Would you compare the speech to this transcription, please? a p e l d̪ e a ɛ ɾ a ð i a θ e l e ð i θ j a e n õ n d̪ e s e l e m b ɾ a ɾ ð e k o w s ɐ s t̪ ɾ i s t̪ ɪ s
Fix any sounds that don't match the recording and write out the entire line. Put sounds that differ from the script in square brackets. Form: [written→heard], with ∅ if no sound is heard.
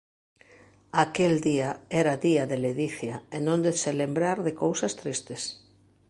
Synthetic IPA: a [p→k] e l d̪ [e→i] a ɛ ɾ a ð i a [θ→ð] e l e ð i θ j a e n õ n d̪ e s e l e m b ɾ a ɾ ð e k o w s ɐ s t̪ ɾ i s t̪ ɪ s